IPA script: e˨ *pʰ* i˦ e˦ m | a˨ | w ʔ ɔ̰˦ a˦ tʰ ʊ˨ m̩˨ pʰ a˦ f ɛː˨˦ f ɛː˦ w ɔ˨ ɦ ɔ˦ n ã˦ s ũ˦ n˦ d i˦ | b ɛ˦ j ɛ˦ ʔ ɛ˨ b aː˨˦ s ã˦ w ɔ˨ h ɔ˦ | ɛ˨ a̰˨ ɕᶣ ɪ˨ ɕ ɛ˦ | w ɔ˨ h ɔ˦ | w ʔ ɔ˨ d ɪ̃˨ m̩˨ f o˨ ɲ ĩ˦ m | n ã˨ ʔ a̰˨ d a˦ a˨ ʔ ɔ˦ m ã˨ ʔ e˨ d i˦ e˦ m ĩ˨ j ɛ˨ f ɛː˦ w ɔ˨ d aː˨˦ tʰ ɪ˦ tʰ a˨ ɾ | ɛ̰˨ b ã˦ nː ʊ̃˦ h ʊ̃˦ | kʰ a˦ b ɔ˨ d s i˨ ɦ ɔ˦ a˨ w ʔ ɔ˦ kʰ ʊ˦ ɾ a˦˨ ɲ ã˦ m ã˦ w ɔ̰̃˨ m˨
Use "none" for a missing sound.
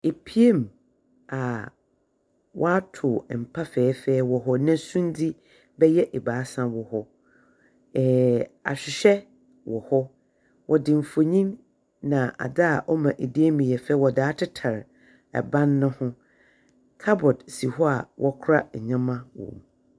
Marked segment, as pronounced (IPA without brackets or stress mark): pʰ